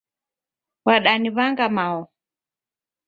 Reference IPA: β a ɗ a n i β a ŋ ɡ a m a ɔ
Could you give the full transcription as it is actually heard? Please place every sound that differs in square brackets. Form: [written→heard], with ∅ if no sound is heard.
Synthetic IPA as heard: [β→w] a ɗ a n i β a ŋ ɡ a m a ɔ